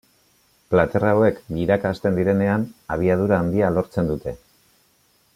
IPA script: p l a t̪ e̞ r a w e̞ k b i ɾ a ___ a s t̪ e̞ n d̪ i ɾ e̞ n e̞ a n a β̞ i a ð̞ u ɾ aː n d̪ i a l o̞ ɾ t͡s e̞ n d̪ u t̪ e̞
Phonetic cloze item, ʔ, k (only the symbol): k